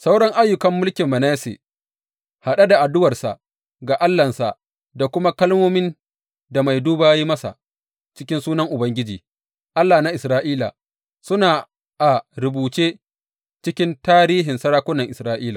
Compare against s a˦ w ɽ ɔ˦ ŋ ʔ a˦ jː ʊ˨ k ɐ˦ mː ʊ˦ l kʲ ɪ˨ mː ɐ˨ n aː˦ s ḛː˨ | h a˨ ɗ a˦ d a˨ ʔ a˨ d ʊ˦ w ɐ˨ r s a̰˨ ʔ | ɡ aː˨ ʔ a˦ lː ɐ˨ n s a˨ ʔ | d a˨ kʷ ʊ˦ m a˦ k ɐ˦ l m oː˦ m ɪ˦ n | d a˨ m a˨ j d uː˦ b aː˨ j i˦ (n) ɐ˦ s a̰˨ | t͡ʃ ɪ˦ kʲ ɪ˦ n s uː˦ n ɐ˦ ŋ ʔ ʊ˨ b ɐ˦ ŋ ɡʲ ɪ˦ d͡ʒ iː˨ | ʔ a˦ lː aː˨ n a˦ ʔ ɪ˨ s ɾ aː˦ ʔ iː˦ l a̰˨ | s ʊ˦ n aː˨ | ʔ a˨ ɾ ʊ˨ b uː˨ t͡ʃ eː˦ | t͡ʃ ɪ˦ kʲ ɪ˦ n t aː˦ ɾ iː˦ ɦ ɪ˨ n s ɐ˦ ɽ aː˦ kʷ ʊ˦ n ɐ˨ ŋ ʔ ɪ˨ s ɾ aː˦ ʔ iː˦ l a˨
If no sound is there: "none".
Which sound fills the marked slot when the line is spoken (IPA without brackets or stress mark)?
m